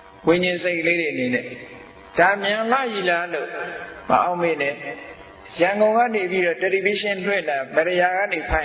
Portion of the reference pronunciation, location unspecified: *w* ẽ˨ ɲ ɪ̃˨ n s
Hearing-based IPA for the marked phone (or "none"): w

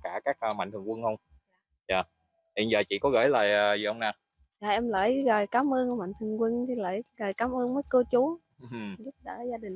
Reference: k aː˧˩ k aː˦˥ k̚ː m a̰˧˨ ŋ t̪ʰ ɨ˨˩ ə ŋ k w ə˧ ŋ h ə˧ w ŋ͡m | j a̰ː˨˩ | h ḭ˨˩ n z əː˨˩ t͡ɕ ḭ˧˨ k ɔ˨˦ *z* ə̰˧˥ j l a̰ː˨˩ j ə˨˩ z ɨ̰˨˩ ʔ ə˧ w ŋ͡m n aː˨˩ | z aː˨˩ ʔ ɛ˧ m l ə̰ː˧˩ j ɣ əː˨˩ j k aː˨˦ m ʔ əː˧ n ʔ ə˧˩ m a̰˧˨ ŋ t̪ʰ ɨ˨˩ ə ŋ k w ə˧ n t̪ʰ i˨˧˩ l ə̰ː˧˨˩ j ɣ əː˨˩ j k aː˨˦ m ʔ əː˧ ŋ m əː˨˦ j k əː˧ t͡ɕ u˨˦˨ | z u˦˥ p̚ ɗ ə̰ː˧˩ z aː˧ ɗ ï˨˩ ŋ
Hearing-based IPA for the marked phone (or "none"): ɣ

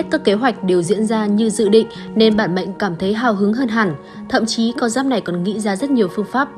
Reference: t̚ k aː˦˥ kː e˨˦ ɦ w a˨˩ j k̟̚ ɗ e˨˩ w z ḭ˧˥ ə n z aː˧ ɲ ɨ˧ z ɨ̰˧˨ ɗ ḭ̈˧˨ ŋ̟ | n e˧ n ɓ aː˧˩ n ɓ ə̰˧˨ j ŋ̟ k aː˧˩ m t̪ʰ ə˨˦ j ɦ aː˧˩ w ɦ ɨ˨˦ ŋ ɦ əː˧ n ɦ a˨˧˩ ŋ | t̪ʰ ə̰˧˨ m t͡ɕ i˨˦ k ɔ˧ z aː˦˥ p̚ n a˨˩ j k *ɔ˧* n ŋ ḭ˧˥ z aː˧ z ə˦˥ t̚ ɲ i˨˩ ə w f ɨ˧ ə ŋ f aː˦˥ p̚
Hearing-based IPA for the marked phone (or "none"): ɔ˨˩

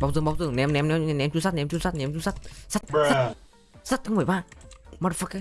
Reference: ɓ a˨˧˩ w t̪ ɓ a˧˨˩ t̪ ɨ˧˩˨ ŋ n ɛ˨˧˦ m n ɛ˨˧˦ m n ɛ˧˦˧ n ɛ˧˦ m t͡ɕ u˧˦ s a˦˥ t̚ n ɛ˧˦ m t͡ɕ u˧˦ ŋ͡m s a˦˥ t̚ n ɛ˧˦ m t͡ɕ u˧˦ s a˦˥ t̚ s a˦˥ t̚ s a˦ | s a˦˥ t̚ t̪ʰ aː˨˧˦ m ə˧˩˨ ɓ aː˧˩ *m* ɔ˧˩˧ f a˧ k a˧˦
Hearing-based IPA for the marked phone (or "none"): m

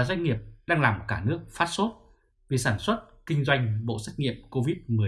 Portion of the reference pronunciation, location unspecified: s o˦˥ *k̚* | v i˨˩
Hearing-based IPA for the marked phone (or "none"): t̚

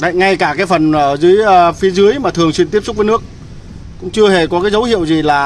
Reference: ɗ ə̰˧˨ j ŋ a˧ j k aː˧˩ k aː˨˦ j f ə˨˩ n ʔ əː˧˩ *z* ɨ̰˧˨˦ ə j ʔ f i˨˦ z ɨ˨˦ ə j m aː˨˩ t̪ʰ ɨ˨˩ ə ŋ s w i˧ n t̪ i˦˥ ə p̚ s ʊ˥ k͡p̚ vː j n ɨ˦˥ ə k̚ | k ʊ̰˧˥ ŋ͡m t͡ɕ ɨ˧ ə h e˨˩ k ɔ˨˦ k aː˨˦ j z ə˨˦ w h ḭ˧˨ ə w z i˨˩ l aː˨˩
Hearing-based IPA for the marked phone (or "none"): z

